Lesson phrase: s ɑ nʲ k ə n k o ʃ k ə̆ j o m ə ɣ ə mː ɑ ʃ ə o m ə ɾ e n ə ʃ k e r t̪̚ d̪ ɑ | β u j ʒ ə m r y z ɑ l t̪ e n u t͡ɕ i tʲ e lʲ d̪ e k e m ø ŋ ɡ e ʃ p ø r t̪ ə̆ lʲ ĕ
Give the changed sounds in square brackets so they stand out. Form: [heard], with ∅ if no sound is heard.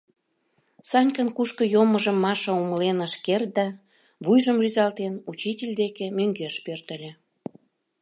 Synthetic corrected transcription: s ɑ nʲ k ə n k [u] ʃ k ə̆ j o m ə [ʒ] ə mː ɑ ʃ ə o m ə [l] e n ə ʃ k e r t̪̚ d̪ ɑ | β u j ʒ ə m r y z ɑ l t̪ e n u t͡ɕ i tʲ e lʲ d̪ e k e m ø ŋ ɡ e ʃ p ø r t̪ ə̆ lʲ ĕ